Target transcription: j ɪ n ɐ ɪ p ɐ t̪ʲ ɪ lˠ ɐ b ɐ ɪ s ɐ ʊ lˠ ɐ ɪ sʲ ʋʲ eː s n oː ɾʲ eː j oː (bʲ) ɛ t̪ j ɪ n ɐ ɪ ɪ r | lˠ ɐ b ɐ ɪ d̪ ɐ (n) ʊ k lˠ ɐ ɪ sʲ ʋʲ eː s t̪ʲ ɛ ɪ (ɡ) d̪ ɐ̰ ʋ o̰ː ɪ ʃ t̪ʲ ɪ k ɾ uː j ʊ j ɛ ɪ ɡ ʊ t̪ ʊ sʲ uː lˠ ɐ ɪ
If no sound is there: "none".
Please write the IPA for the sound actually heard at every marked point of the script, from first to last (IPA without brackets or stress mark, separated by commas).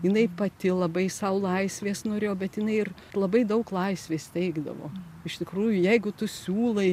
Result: bʲ, none, ɡ